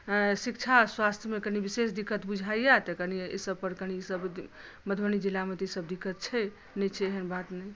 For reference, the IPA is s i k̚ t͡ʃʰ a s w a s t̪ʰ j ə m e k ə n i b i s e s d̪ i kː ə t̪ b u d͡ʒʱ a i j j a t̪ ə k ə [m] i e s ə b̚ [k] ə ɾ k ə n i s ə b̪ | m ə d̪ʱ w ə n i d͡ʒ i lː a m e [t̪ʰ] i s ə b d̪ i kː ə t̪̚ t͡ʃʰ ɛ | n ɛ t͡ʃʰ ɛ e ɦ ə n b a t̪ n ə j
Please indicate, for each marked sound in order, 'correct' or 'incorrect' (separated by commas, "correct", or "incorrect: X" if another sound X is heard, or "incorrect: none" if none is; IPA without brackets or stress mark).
incorrect: n, incorrect: p, incorrect: t̪